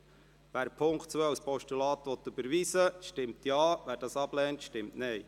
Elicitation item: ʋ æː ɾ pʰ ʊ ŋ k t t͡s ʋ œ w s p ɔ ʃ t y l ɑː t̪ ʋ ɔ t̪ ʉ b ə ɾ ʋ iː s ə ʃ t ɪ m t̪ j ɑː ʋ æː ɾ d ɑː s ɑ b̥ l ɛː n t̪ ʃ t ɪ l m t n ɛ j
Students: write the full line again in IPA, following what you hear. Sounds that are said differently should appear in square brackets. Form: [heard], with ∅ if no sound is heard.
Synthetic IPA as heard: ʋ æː ɾ pʰ ʊ ŋ k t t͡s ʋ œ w s p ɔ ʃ t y l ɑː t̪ ʋ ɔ t̪ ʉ b ə ɾ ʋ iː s ə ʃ t ɪ m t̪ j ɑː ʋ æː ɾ d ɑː s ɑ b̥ l ɛː n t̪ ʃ t ɪ [∅] m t n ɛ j